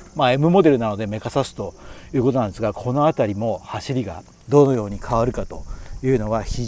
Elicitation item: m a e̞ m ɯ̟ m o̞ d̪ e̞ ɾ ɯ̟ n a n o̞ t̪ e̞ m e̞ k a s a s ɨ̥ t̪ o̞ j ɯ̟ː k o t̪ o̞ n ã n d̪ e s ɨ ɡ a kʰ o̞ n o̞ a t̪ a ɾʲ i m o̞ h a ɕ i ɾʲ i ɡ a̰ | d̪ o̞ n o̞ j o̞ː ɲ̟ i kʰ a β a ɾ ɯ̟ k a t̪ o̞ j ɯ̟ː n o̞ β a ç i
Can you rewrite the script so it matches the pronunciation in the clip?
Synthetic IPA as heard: m a e̞ m ɯ̟ m o̞ d̪ e̞ ɾ ɯ̟ n a n o̞ d̪ e̞ m e̞ k a s a s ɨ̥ t̪ o̞ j ɯ̟ː k o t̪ o̞ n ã n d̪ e s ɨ ɡ a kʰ o̞ n o̞ a t̪ a ɾʲ i m o̞ h a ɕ i ɾʲ i ɡ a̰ | d̪ o̞ n o̞ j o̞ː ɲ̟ i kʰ a β a ɾ ɯ̟ k a t̪ o̞ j ɯ̟ː n o̞ β a ç i